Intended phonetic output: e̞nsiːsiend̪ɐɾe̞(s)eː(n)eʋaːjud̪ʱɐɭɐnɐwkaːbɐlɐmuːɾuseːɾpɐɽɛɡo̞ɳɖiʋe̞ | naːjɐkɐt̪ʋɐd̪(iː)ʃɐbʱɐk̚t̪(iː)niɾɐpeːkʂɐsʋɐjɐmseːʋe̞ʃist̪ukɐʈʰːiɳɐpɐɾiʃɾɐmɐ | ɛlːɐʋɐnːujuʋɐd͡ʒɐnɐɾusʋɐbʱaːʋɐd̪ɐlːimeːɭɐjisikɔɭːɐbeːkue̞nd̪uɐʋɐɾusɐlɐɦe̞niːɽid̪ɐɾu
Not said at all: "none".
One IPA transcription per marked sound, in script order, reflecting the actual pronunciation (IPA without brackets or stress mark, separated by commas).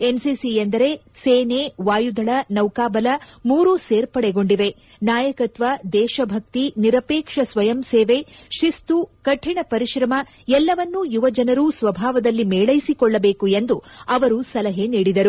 s, n, ɛː, i